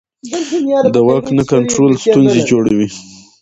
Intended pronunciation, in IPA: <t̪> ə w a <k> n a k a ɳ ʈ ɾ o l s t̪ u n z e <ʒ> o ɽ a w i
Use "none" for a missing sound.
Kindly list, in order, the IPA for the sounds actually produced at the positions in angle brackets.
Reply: d̪, k, d͡ʒ

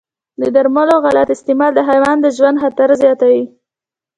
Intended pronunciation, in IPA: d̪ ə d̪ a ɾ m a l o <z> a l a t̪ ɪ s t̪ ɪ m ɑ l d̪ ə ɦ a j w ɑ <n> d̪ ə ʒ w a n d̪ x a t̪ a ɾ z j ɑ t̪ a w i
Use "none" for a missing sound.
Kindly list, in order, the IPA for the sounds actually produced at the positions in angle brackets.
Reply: ɣ, n

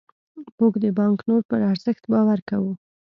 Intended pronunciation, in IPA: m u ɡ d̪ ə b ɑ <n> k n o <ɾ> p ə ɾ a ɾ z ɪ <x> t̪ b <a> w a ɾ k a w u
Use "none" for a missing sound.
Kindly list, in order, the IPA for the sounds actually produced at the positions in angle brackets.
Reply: ŋ, ɾ, x, ɑ

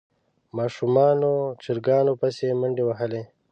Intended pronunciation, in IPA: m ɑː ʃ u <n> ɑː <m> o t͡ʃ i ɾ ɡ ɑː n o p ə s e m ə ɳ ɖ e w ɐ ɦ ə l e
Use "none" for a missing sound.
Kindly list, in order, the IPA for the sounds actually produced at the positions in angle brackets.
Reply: m, n

